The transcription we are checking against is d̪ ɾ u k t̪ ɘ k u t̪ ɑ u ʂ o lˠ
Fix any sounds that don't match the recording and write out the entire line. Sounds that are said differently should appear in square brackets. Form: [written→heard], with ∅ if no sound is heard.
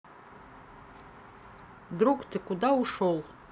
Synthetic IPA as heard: d̪ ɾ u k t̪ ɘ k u [t̪→d̪] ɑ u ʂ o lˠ

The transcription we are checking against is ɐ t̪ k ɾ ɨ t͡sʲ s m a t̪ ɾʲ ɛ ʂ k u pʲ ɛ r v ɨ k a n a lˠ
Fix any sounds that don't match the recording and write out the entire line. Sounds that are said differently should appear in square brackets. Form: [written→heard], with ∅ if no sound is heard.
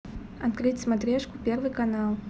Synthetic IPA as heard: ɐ t̪ k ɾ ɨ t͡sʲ s m a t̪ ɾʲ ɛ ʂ k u pʲ ɛ r v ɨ k a n a lˠ

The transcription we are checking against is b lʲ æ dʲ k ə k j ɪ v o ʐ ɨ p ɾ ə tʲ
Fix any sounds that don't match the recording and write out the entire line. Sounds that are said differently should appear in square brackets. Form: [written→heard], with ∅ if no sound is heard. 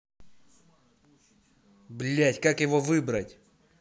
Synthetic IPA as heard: b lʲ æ [dʲ→tʲ] k [ə→a] k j ɪ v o [ʐ→v] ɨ [p→b] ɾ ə tʲ

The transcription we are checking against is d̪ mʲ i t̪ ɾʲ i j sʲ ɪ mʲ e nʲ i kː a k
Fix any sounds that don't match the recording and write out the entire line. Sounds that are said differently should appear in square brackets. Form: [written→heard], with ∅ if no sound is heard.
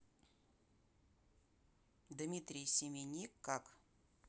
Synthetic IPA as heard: d̪ mʲ i t̪ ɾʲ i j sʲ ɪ mʲ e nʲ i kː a k

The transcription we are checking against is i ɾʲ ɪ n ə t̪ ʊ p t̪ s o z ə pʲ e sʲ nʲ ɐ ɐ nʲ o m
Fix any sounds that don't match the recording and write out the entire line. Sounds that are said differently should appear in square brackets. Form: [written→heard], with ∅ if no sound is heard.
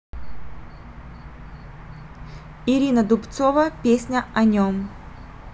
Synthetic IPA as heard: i ɾʲ [ɪ→i] n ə [t̪→d̪] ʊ p t̪ s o [z→v] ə pʲ e sʲ nʲ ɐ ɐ nʲ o m

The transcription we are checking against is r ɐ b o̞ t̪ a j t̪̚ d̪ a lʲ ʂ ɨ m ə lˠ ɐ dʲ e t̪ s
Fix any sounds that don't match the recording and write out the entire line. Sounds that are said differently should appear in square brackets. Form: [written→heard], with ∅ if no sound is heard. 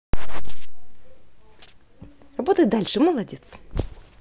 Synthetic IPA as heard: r ɐ b o̞ t̪ [a→ə] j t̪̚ d̪ a lʲ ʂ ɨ m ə lˠ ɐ dʲ e t̪ s

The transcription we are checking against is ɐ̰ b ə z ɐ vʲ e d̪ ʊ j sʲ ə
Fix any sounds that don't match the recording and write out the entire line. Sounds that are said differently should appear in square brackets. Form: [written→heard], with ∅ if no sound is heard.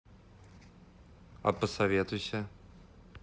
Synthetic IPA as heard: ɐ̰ [b→p] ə [z→s] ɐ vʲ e [d̪→t̪] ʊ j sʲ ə

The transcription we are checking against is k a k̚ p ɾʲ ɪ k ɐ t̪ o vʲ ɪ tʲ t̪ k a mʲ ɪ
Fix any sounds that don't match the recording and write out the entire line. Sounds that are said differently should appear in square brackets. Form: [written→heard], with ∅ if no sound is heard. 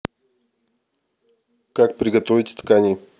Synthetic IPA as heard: k a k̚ p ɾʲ ɪ [k→ɡ] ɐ t̪ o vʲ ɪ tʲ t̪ k a [mʲ→nʲ] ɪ

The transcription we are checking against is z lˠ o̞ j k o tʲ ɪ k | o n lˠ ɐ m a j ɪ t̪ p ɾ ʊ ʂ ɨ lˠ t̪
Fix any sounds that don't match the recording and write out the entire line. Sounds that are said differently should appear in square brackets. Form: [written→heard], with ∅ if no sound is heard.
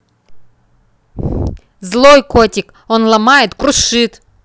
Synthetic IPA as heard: z lˠ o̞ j k o tʲ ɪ k | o n lˠ ɐ m a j ɪ t̪ [p→k] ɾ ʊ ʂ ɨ [lˠ→∅] t̪

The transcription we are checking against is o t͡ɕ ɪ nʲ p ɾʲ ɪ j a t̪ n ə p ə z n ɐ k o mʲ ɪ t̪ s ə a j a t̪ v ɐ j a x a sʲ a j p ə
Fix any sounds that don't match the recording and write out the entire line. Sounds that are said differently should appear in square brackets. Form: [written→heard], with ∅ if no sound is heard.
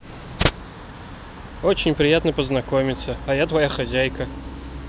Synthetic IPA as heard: o t͡ɕ ɪ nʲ p ɾʲ ɪ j a t̪ n ə p ə z n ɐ k o mʲ ɪ t̪ s ə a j a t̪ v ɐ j a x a [sʲ→zʲ] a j [p→k] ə

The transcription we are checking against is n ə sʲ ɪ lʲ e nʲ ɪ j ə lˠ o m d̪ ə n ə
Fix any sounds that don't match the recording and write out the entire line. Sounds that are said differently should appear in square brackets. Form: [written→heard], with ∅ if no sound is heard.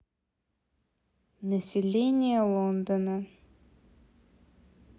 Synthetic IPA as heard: n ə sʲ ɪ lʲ e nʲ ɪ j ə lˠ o [m→n] d̪ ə n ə

